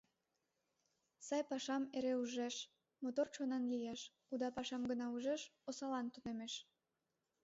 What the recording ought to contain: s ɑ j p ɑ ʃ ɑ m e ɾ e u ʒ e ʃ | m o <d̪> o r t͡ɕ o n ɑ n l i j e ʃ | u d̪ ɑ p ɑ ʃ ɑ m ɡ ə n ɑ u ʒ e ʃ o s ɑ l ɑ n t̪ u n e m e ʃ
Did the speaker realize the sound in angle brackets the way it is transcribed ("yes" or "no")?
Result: no